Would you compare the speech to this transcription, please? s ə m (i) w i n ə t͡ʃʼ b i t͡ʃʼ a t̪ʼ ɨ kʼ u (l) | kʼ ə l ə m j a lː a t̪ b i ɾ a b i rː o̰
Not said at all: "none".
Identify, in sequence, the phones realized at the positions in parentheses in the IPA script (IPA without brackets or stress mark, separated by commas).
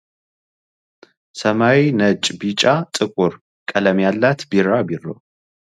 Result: a, ɾ